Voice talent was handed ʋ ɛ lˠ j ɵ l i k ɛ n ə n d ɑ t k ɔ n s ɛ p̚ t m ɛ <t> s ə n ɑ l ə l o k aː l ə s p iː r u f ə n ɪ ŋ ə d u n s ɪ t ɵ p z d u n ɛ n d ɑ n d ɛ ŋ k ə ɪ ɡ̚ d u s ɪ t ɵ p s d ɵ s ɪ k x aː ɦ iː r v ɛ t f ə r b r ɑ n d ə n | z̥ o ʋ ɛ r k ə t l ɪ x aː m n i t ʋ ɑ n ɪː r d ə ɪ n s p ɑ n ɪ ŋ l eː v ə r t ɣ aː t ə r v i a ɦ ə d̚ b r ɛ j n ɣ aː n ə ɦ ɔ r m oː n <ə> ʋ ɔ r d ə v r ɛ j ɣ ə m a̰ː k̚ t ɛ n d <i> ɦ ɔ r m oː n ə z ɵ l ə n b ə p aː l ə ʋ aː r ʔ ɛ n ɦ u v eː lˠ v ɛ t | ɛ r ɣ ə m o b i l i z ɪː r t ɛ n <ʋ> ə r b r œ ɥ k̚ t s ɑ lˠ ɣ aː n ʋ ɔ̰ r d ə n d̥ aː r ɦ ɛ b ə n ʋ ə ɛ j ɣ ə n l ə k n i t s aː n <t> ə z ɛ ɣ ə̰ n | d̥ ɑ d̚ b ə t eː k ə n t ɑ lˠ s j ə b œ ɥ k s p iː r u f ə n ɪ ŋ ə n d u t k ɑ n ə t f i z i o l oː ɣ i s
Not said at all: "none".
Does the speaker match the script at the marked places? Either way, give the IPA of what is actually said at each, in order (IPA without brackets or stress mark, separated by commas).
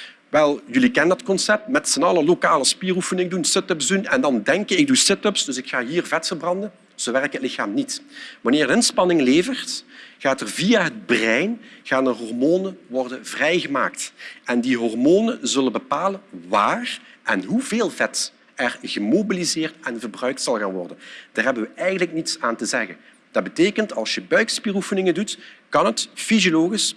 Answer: t, ə, i, v, t